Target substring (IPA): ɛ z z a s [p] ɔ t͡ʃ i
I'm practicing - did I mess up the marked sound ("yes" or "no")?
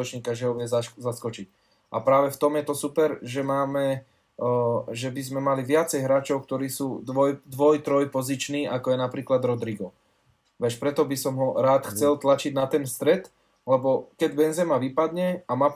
yes